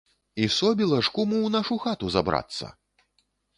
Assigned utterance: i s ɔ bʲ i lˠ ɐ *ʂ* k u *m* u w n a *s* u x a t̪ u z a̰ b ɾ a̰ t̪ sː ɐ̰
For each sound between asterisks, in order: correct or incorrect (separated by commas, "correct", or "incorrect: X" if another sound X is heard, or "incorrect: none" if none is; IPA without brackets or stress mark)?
correct, correct, incorrect: ʂ